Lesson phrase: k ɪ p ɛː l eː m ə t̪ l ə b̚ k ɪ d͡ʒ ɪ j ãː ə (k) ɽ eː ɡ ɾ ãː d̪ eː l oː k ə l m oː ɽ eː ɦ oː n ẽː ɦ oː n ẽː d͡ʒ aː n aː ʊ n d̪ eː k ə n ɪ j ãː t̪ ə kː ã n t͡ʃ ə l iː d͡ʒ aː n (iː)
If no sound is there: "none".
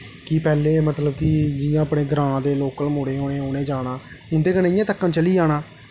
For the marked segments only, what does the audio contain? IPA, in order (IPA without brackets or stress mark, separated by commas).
p, aː